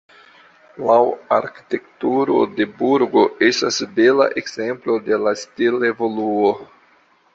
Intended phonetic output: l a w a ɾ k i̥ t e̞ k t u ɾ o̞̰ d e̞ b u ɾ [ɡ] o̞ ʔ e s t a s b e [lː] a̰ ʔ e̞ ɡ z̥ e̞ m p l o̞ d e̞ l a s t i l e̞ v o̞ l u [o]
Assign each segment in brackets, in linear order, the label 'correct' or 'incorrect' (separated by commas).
correct, incorrect, correct